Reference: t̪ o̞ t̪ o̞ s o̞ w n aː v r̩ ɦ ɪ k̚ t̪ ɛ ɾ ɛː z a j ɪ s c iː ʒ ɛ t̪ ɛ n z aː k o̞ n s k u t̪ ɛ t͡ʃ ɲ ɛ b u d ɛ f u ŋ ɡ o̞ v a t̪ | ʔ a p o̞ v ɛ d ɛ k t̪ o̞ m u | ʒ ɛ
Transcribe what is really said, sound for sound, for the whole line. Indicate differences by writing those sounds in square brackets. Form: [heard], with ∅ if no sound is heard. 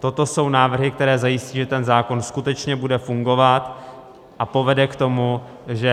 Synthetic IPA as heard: t̪ o̞ t̪ o̞ s o̞ w n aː v r̩ ɦ ɪ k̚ t̪ ɛ ɾ ɛː z a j ɪ s c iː ʒ ɛ t̪ ɛ n z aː k o̞ n s k u t̪ ɛ t͡ʃ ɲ ɛ b u d ɛ f u ŋ ɡ o̞ v a t̪ | ʔ a p o̞ v ɛ d ɛ k t̪ o̞ m u | ʒ ɛ